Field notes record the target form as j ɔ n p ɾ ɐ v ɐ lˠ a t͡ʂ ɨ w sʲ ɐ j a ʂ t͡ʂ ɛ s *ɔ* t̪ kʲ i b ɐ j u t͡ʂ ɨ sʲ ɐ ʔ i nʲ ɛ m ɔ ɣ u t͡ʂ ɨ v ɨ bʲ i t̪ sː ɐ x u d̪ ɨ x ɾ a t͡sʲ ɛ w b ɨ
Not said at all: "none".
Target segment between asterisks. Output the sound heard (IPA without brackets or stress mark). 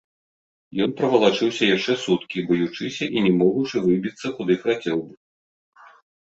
u